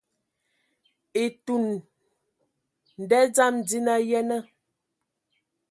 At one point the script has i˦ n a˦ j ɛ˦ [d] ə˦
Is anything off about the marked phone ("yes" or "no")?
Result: yes